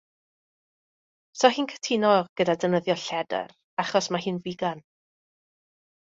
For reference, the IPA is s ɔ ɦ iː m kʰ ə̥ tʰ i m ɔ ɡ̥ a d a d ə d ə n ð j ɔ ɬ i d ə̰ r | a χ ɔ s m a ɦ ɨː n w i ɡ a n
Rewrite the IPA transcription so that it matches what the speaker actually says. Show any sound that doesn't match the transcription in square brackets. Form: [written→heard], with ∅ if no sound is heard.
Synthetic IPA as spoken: s ɔ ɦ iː [m→n] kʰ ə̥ tʰ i [m→n] ɔ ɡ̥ [a→ə] d a d ə [d→n] ə [n→∅] ð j ɔ ɬ [i→ɛ] d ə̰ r | a χ ɔ s m a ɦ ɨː n [w→v] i ɡ a n